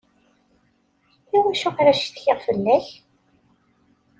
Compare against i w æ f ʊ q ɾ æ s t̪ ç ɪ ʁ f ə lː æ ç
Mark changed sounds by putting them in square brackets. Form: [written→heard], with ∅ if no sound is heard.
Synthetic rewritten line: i w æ [f→ʃ] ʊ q ɾ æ [s→ʃ] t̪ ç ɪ ʁ f ə lː æ ç